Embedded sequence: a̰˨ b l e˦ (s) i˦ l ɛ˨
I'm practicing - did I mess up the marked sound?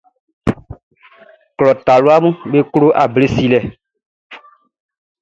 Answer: no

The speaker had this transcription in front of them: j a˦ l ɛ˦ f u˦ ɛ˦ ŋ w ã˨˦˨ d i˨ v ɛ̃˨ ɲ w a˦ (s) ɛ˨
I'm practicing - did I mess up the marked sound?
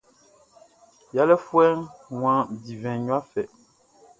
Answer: yes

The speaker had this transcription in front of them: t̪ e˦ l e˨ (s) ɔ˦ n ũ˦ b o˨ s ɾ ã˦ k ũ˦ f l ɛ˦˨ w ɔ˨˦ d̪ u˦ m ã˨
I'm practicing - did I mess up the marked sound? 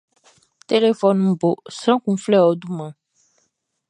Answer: yes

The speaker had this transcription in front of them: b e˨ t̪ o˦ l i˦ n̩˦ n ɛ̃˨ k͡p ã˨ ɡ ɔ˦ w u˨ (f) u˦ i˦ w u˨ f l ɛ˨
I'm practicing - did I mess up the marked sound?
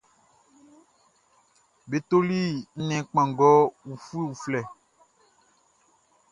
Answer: no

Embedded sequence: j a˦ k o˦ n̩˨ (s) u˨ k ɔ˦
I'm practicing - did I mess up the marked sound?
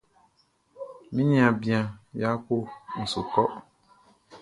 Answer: no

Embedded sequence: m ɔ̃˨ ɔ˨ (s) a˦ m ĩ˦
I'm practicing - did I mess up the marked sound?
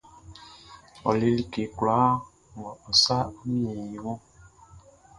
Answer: no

